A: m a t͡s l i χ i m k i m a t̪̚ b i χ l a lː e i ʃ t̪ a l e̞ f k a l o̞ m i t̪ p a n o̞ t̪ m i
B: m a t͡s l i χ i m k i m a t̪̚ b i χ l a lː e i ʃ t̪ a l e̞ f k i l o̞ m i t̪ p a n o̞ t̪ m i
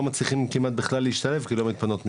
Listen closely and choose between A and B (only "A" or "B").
B